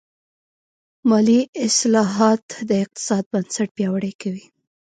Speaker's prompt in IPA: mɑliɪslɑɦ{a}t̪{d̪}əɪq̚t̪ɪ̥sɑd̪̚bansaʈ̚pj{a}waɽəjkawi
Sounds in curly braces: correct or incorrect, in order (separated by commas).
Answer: incorrect, correct, incorrect